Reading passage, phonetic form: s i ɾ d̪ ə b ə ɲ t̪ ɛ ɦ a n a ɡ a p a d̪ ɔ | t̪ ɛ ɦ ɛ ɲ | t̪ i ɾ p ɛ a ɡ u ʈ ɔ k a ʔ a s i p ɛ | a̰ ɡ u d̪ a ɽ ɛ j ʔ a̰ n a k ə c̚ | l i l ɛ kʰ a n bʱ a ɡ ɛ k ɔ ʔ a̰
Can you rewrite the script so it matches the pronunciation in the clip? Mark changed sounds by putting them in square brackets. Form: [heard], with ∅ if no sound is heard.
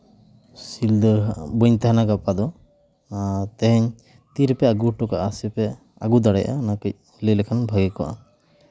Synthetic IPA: s i [l] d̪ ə b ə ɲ t̪ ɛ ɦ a n a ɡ a p a d̪ ɔ | t̪ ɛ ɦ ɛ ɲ | t̪ i ɾ p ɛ a ɡ u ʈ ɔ k a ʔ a s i p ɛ | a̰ ɡ u d̪ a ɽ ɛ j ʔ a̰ n a k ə c̚ | l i l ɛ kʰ a n bʱ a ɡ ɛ k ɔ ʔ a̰